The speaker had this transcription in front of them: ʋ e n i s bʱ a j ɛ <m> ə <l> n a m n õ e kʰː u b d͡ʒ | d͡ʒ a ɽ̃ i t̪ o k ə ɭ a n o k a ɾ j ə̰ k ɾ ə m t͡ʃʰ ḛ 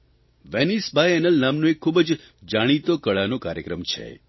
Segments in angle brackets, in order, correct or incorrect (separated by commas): incorrect, correct